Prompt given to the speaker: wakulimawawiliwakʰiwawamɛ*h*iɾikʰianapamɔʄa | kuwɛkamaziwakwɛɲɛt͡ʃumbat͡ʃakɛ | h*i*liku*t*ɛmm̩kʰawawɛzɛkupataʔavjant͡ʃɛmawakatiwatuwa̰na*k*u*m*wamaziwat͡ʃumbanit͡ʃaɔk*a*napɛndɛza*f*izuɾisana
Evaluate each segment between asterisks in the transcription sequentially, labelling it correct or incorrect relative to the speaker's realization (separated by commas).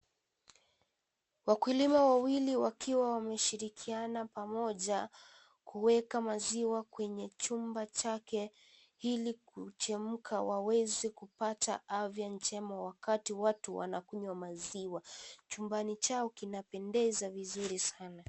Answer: incorrect, correct, incorrect, correct, incorrect, incorrect, incorrect